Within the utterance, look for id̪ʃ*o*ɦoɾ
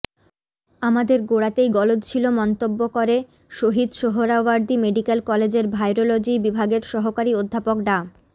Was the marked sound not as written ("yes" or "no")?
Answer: no